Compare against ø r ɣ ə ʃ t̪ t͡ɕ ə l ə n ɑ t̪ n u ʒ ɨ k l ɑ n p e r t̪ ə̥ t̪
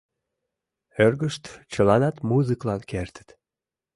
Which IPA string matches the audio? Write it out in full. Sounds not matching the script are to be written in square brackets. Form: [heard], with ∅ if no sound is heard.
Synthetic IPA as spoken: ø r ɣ ə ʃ t̪ t͡ɕ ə l [ɑ] n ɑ t̪ [m] u [z] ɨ k l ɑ n [k] e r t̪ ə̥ t̪